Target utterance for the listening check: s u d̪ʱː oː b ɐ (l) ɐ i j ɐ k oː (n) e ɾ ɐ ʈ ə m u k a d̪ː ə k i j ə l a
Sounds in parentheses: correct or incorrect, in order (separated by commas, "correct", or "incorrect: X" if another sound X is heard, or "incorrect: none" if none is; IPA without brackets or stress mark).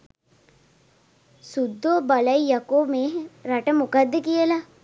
correct, incorrect: m